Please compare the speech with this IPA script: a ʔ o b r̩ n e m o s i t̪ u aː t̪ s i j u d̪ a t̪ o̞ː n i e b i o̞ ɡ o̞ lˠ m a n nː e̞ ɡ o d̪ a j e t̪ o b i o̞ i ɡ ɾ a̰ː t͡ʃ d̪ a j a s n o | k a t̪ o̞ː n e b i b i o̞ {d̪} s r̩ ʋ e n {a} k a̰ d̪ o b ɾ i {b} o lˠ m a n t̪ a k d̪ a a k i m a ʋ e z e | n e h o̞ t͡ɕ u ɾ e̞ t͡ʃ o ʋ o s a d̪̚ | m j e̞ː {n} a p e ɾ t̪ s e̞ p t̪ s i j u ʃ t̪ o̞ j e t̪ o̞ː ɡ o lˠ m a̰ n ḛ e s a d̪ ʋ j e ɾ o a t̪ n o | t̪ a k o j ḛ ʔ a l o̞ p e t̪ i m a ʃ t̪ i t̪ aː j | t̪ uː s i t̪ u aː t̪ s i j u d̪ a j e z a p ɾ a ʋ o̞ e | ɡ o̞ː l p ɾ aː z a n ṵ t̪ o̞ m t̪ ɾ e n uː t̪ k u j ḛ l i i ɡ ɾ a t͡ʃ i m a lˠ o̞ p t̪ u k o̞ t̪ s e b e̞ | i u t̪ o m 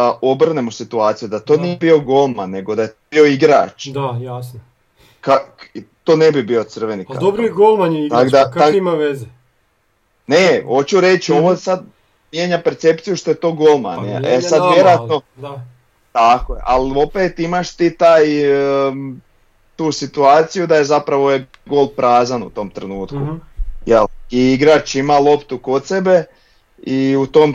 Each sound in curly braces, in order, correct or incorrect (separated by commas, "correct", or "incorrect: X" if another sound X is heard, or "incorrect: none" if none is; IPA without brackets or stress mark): incorrect: t̪, incorrect: i, incorrect: ɡ, incorrect: ɲ